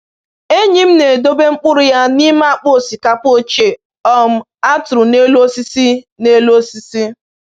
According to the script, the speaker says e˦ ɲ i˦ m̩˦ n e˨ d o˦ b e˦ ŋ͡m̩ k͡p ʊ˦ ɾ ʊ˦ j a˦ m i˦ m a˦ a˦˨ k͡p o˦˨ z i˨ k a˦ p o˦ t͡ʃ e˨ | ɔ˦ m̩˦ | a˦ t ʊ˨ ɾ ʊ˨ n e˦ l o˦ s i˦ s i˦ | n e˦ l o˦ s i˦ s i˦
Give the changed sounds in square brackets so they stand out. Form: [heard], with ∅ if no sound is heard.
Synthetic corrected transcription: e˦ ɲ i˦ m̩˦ n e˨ d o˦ b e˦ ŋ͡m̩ k͡p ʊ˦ ɾ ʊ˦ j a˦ [n] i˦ m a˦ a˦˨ k͡p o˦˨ [s] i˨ k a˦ p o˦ t͡ʃ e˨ | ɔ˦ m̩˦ | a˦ t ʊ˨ ɾ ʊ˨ n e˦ l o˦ s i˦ s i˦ | n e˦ l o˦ s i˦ s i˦